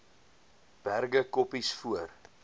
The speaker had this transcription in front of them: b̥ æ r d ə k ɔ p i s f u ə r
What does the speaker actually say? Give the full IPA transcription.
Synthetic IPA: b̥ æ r ɡ ə k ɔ p i s f u ə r